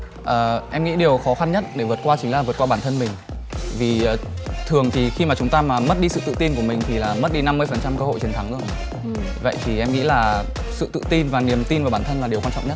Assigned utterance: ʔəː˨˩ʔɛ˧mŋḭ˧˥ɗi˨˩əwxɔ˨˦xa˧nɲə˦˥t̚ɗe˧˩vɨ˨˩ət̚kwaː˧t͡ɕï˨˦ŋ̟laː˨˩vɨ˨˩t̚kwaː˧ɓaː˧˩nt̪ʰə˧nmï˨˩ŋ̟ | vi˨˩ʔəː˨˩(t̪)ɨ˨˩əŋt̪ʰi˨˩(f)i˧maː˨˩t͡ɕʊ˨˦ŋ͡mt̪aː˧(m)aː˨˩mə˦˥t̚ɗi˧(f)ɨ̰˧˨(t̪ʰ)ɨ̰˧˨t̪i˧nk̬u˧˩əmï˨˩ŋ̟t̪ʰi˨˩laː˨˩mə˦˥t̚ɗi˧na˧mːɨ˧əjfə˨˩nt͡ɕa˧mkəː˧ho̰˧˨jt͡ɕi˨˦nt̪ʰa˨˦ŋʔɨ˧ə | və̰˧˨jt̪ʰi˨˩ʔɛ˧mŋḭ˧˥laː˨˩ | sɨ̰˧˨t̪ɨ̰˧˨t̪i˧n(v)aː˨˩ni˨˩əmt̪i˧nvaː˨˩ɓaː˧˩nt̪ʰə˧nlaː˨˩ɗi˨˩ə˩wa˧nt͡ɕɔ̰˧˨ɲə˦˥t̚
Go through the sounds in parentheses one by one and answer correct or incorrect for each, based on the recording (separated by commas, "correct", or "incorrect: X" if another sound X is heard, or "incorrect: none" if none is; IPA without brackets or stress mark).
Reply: incorrect: t̪ʰ, incorrect: x, correct, incorrect: s, incorrect: t̪, correct